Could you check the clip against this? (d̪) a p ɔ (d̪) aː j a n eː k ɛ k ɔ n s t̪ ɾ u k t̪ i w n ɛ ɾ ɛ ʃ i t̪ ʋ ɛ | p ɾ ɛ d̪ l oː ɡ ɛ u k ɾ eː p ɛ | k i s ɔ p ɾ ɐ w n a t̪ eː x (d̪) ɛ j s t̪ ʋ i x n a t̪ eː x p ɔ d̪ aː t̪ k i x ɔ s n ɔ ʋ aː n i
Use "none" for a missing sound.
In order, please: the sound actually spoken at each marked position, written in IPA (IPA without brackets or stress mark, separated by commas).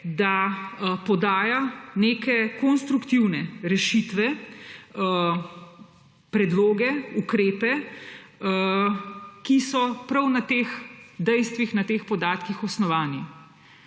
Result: d̪, d̪, d̪